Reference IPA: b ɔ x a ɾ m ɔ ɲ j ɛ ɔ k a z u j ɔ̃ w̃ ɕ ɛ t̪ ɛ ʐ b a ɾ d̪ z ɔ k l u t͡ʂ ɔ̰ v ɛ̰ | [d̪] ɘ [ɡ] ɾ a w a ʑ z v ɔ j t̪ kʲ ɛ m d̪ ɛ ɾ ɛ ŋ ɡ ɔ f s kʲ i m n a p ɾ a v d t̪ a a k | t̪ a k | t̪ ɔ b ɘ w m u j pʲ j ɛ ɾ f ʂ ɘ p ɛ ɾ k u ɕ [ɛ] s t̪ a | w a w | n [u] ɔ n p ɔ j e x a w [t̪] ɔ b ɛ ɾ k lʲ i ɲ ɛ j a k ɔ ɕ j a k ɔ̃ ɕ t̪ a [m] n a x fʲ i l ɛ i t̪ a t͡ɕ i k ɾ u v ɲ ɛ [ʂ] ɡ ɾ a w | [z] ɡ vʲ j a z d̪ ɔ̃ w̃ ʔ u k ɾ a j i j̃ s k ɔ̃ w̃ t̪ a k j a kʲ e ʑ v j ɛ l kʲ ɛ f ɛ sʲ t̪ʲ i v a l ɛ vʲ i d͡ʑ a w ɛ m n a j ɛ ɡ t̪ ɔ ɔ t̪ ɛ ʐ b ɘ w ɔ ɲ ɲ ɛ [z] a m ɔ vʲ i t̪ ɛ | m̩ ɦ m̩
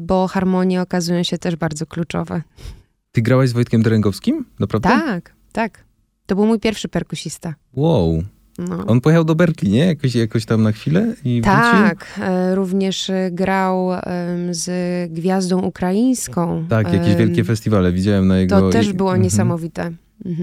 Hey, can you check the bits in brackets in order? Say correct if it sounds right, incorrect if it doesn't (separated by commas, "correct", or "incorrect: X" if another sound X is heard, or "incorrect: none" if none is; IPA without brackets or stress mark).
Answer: incorrect: t̪, correct, incorrect: i, incorrect: ɔ, incorrect: d̪, correct, correct, correct, incorrect: s